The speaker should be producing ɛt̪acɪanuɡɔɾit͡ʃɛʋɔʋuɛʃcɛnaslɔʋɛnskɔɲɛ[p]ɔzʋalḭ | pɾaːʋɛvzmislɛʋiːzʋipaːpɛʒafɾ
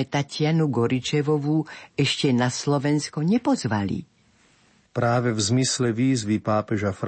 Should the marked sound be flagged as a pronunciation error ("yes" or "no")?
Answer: no